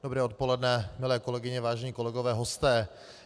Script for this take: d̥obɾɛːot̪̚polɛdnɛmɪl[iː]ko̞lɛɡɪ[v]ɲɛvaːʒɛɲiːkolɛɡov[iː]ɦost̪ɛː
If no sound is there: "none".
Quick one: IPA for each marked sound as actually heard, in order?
ɛː, none, ɛː

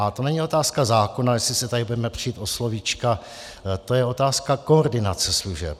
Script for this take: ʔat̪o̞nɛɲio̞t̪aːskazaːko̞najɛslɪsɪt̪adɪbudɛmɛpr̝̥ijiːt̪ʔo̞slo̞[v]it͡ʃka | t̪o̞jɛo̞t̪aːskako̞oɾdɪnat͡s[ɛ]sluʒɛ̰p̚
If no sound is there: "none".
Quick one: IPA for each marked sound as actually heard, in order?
v, ɛ

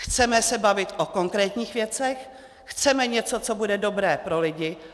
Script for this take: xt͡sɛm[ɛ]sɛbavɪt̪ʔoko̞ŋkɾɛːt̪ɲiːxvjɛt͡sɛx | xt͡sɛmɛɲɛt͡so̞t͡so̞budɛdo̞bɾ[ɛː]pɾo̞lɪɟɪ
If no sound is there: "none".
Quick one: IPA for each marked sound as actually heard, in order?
ɛ, ɛː

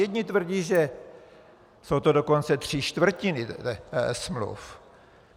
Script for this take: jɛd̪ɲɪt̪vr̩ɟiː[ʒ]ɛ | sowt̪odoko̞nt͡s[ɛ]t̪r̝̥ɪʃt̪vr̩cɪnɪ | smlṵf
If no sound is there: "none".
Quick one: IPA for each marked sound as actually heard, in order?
ʒ, ɛ

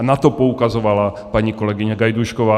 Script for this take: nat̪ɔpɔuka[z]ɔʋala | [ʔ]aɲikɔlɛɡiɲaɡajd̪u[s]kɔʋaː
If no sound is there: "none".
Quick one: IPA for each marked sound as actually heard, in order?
z, p, ʃ

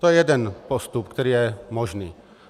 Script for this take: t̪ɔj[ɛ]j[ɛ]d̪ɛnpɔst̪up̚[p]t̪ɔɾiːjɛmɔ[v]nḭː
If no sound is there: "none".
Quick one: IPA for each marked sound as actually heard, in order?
ɛ, ɛ, k, ʒ

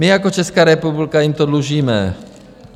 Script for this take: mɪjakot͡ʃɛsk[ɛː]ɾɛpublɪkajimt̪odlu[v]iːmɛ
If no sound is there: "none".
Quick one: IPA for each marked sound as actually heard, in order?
aː, ʒ

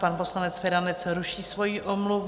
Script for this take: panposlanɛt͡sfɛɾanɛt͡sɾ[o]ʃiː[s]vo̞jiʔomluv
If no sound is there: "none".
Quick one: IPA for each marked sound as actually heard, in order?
u, s

